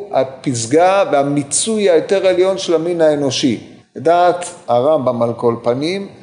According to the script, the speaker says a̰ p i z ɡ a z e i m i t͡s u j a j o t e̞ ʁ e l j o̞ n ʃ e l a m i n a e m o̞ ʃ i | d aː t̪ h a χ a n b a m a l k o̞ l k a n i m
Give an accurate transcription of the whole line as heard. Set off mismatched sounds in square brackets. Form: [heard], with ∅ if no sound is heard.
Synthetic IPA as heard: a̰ p i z ɡ a [v] e [a] m i t͡s u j a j o t e̞ ʁ e l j o̞ n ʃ e l a m i n a e [n] o̞ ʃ i | d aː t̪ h a [ʁ] a [m] b a m a l k o̞ l [p] a n i m